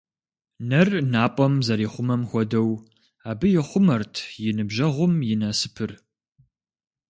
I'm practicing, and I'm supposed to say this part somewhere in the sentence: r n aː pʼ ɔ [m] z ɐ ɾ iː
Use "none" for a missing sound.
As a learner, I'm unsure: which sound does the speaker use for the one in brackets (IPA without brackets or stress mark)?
m